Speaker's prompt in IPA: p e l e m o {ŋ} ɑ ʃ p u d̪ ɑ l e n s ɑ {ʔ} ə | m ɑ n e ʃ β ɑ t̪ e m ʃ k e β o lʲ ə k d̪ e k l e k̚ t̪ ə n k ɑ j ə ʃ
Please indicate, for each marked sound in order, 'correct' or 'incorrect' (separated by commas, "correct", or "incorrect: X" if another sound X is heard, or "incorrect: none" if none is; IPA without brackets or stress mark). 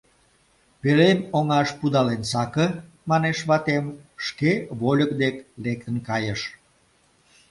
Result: correct, incorrect: k